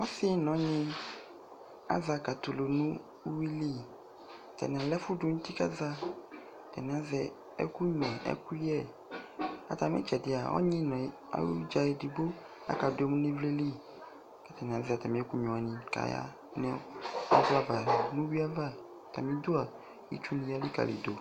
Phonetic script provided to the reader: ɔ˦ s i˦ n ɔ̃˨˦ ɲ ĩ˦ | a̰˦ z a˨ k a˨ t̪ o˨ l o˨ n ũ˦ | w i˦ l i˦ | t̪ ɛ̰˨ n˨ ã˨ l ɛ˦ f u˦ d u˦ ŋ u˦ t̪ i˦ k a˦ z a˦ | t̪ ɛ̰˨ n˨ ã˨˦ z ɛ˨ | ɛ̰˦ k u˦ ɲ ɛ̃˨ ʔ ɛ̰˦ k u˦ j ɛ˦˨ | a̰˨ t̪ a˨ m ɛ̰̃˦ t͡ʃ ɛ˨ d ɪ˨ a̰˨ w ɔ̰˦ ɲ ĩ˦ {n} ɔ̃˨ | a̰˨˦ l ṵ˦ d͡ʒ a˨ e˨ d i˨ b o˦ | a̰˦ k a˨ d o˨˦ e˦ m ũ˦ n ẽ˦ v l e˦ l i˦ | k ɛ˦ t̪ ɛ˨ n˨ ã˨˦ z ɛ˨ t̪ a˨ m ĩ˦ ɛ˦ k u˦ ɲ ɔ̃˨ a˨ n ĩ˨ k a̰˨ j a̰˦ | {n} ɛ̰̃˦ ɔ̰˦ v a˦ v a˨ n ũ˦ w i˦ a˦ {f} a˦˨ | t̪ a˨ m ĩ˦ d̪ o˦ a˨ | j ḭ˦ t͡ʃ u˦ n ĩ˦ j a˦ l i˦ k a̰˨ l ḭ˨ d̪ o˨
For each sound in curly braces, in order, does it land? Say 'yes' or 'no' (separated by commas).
yes, yes, no